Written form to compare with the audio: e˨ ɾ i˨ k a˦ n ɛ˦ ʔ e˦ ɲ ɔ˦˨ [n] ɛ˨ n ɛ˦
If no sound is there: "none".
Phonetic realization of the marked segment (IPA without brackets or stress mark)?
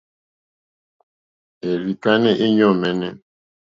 m